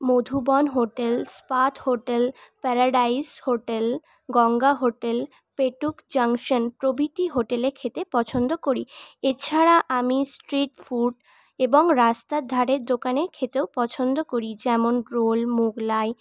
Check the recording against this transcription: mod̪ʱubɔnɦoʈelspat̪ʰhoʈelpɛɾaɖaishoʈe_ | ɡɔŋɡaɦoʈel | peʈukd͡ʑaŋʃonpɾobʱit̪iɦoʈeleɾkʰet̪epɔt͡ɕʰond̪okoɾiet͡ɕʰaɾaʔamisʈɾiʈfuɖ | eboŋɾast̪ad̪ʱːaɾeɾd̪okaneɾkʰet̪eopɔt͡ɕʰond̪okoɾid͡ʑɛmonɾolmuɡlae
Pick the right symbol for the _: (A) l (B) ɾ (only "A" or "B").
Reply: A